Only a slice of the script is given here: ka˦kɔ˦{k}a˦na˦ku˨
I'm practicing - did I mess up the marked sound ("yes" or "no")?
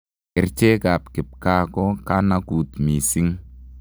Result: no